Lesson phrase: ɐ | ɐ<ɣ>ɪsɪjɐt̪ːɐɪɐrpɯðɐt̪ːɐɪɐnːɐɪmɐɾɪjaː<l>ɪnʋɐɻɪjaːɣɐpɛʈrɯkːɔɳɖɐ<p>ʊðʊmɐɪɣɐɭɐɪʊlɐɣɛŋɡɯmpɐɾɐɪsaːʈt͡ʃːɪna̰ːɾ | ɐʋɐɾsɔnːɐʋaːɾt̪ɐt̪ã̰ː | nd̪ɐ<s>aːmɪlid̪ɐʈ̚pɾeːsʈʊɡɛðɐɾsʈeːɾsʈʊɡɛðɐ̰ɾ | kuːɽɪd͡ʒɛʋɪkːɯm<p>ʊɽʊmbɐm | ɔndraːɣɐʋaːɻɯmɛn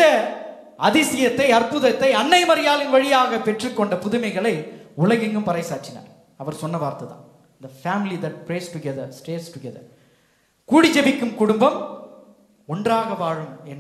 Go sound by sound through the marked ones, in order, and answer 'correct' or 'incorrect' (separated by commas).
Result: incorrect, correct, correct, incorrect, incorrect